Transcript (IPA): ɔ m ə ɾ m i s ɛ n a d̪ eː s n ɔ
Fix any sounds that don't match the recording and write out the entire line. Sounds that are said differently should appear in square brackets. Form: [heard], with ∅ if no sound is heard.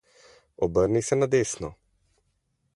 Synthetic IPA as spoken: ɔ [b] ə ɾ [n] i s ɛ n a d̪ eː s n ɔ